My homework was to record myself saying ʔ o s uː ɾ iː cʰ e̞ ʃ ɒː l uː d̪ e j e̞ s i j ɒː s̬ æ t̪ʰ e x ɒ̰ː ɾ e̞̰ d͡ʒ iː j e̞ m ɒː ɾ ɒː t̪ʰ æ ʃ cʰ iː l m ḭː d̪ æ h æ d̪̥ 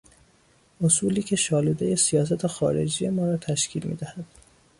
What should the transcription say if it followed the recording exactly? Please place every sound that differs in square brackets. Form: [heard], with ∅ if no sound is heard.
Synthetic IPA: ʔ o s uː [l] iː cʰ e̞ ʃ ɒː l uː d̪ e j e̞ s i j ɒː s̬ æ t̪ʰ e x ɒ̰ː ɾ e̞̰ d͡ʒ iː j e̞ m ɒː ɾ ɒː t̪ʰ æ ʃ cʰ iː l m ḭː d̪ æ h æ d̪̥